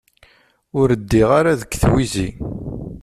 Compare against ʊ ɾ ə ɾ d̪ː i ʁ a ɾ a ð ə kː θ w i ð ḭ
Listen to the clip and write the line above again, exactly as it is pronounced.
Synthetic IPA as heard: ʊ ɾ ə d̪ː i ʁ a ɾ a ð ə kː θ w i z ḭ